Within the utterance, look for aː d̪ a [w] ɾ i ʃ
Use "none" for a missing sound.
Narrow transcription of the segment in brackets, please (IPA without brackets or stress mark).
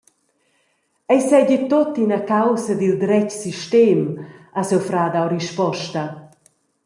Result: w